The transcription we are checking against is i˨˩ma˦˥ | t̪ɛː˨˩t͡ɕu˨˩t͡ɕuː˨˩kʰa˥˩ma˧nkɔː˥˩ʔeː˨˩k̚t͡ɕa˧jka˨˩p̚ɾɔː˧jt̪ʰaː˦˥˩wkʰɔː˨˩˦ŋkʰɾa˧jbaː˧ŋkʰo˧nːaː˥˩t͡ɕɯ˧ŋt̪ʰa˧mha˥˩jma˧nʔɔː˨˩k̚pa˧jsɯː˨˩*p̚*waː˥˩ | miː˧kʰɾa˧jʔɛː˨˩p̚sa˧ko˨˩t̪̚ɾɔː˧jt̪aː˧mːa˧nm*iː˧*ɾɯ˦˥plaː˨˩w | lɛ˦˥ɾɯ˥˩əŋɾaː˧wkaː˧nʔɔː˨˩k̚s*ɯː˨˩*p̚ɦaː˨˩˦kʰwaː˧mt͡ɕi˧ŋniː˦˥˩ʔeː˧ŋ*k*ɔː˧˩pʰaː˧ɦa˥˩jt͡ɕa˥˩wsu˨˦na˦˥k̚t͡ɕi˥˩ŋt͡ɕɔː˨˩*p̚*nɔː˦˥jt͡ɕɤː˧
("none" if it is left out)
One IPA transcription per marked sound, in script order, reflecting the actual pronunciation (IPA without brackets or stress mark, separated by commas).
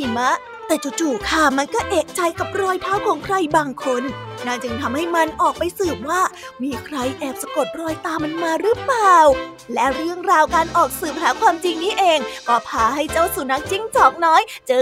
p̚, aː˧, ɯː˨˩, k, k̚